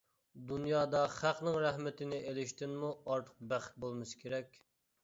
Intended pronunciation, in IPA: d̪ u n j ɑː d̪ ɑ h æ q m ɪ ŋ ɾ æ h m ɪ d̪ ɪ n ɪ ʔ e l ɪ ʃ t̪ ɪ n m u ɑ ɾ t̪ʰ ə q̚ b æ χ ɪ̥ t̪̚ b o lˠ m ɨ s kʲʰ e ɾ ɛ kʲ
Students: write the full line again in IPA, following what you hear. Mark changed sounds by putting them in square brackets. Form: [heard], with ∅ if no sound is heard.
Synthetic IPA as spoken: d̪ u n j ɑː d̪ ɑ [χ] æ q [n] ɪ ŋ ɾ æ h m ɪ [t̪] ɪ n ɪ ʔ e l ɪ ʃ t̪ ɪ n m u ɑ ɾ t̪ʰ ə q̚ b æ χ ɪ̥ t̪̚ b o lˠ m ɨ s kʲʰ e ɾ ɛ kʲ